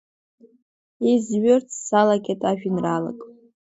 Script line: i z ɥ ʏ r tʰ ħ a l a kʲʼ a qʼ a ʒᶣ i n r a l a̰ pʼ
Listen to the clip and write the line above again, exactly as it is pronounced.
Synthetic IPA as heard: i z ɥ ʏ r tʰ s a l a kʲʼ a tʼ a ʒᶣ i n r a l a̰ kʼ